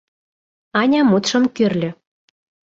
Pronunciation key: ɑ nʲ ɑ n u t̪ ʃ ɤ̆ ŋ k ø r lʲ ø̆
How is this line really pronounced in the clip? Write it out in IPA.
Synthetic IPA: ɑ nʲ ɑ m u t̪ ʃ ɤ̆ m k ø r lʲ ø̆

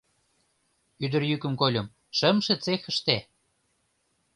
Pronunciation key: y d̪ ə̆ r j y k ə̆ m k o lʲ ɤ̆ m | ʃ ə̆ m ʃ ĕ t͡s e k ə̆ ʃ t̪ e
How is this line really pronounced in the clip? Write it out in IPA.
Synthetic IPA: y d̪ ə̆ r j y k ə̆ m k o lʲ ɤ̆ m | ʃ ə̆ m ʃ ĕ t͡s e x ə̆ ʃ t̪ e

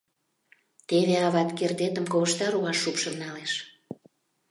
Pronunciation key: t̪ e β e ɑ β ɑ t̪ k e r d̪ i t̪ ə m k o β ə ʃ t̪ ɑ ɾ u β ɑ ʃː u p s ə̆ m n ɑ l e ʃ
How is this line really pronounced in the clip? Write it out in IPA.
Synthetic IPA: t̪ e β e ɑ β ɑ t̪ k e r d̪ e t̪ ə m k o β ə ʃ t̪ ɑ ɾ u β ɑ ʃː u p ʃ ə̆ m n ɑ l e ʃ

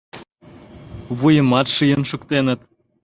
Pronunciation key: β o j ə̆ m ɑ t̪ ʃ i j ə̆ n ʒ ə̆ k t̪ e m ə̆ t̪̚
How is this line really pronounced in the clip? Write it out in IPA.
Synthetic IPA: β u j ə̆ m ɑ t̪ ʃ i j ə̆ n ʃ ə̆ k t̪ e n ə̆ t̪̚

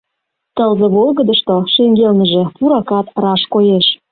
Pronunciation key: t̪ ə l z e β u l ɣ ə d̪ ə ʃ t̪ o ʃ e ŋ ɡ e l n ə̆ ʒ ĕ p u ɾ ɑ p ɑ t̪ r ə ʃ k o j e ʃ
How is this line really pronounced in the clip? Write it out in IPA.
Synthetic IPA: t̪ ə l z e β o l ɣ ə d̪ ə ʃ t̪ o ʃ e ŋ ɡ e l n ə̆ ʒ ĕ p u ɾ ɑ k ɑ t̪ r ɑ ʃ k o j e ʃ

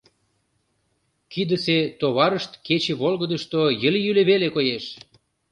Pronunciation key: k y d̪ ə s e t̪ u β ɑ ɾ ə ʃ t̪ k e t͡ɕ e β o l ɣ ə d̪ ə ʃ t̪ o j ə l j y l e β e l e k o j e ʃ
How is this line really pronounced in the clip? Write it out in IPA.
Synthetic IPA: k i d̪ ə s e t̪ o β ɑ ɾ ə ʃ t̪ k e t͡ɕ e β o l ɣ ə d̪ ə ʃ t̪ o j ə l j y l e β e l e k o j e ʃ

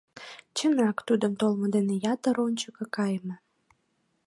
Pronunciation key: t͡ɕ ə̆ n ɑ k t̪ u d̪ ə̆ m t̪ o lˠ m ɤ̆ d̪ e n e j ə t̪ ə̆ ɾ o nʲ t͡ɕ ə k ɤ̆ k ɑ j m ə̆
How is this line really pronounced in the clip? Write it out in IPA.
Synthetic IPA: t͡ɕ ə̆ n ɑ k t̪ u d̪ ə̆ m t̪ o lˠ m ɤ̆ d̪ e n e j ɑ t̪ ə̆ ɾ o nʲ t͡ɕ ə k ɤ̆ k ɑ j m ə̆

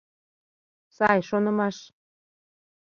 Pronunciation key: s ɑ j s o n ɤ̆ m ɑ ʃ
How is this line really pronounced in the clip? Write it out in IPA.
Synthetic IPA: s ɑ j ʃ o n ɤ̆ m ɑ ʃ

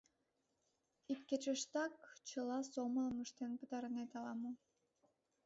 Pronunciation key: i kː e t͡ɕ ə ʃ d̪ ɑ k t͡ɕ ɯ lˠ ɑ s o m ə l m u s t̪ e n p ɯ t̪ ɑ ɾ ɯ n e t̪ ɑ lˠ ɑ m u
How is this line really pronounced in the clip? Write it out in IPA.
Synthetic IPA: i kː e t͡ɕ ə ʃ t̪ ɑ k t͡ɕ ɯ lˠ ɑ s o m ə l m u ʃ t̪ e n p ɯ t̪ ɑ ɾ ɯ n e t̪ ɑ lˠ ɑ m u

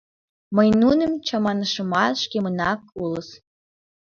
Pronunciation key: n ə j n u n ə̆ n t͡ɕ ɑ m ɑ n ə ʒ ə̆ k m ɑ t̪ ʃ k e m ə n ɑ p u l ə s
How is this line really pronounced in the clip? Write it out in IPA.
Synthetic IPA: m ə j n u n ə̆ m t͡ɕ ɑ m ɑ n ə ʃ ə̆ m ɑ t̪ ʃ k e m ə n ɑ k u l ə s

